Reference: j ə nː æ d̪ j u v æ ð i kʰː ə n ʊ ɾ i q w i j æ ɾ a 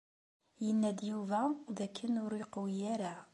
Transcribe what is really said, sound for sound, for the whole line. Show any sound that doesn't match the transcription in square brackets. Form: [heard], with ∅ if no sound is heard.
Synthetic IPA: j ə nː æ d̪ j u v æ ð [æ] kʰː ə n ʊ ɾ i q w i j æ ɾ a